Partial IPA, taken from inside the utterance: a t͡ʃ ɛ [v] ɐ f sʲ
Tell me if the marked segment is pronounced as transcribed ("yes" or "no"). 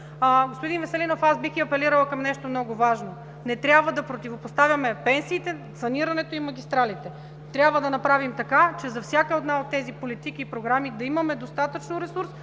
no